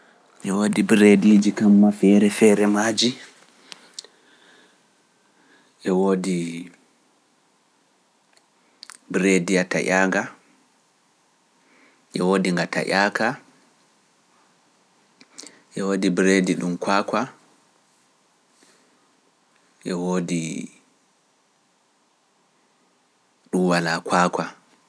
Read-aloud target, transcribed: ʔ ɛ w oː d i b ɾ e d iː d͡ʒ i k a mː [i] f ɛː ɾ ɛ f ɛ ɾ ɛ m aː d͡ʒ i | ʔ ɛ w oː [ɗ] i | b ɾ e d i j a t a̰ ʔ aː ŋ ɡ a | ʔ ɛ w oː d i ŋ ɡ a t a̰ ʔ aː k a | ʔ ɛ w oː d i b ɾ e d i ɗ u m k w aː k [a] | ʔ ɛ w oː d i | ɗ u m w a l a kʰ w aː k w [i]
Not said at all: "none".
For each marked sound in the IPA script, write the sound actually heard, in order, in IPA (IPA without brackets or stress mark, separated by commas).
a, d, a, a